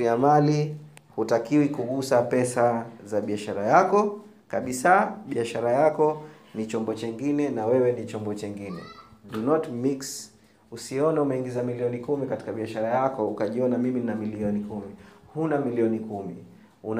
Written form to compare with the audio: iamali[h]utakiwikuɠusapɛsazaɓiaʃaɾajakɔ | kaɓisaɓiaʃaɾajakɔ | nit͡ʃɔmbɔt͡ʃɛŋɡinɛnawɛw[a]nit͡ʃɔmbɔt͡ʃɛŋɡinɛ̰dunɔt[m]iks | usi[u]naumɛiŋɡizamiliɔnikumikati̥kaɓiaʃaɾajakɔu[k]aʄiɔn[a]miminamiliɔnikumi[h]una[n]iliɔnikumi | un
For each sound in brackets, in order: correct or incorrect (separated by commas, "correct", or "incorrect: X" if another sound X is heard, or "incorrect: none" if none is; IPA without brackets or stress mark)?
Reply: correct, incorrect: ɛ, correct, incorrect: ɔ, correct, correct, correct, incorrect: m